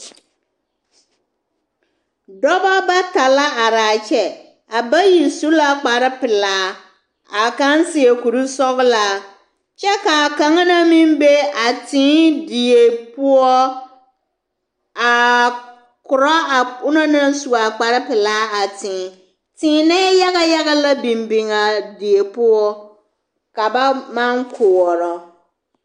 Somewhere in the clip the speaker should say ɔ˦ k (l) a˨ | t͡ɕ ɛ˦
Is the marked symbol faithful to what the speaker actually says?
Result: yes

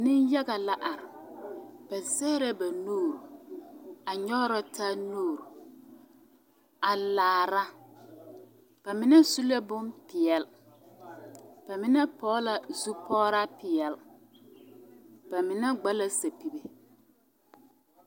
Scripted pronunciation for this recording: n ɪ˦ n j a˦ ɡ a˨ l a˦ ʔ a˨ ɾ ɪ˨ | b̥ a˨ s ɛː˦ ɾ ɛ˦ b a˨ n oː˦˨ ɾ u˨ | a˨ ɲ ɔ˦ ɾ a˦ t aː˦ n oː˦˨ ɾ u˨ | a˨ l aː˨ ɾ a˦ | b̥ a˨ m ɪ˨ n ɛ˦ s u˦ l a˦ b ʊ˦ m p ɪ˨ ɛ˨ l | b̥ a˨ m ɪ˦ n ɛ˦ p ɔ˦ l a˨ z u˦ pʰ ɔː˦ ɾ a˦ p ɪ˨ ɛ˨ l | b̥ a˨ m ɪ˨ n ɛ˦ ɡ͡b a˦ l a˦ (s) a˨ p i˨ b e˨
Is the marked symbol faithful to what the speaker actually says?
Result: yes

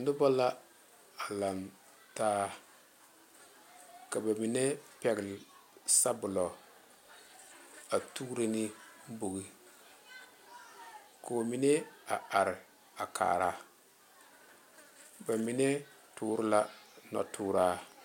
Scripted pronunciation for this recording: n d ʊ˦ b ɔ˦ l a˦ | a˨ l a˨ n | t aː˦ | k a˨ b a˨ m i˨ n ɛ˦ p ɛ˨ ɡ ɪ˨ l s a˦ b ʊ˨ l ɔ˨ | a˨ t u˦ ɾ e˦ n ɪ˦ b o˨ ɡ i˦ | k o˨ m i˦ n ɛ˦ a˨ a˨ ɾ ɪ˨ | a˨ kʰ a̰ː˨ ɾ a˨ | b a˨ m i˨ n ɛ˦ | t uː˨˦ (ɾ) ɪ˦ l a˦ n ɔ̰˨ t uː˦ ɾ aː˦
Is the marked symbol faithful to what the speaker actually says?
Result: yes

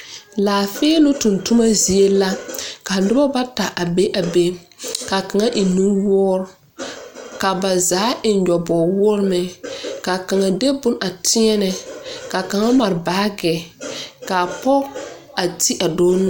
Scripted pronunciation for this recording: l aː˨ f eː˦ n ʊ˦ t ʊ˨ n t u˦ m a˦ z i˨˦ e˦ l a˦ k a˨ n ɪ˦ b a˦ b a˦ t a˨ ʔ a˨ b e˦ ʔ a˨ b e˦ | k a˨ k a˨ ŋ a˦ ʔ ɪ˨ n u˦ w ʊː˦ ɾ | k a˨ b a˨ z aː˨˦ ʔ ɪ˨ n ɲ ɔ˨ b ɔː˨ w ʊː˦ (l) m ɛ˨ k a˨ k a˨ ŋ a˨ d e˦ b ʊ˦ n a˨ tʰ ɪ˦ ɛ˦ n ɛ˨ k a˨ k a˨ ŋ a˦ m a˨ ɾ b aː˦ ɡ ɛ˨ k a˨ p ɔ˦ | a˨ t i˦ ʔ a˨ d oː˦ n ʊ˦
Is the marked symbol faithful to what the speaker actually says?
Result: no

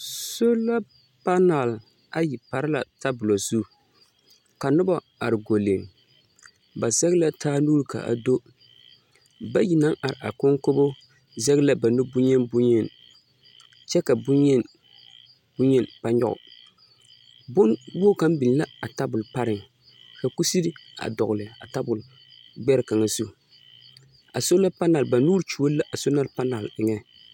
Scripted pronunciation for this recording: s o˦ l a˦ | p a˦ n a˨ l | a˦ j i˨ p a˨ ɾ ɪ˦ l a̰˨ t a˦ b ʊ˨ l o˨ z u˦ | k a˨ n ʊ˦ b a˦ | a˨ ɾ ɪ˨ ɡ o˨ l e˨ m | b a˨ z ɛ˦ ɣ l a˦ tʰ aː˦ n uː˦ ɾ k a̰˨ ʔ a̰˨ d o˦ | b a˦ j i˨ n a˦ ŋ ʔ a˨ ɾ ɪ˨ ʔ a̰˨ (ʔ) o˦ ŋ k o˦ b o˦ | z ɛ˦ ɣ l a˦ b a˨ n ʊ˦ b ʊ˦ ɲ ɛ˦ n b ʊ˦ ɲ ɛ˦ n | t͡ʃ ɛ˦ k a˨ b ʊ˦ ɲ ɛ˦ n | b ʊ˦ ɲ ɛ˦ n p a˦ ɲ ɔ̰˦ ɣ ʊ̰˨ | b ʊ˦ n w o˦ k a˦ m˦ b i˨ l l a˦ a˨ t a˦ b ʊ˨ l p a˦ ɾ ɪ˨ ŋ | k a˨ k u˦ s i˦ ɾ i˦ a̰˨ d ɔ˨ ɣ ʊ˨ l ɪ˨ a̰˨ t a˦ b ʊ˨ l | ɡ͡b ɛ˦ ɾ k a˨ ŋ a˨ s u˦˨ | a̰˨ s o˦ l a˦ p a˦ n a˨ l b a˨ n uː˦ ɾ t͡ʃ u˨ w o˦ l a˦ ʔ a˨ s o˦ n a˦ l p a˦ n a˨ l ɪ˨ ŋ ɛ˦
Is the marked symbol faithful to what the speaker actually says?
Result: no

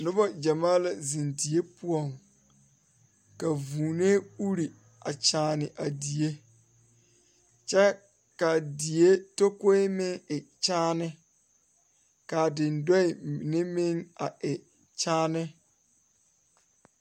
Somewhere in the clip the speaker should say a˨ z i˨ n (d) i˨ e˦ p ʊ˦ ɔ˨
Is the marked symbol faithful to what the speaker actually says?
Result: yes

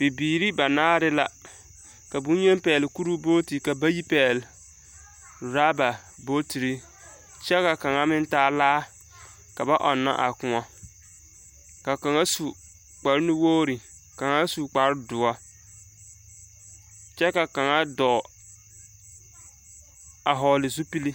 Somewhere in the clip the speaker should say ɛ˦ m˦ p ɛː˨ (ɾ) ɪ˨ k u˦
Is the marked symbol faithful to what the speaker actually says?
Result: no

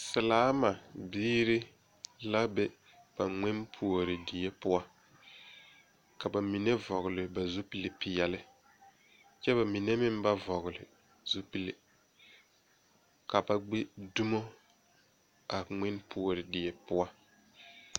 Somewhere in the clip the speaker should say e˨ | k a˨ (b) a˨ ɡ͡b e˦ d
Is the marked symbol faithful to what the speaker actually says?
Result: yes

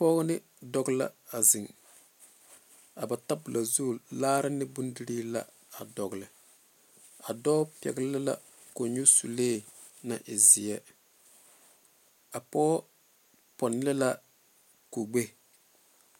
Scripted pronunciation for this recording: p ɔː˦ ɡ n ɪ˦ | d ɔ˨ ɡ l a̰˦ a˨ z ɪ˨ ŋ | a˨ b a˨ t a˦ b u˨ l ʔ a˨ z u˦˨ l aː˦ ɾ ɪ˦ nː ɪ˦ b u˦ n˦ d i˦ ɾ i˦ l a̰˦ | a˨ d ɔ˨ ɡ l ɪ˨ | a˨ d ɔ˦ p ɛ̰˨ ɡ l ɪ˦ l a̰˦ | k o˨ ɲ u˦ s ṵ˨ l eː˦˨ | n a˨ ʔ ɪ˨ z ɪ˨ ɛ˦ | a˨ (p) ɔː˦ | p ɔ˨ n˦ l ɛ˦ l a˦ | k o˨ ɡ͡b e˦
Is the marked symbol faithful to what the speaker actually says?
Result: yes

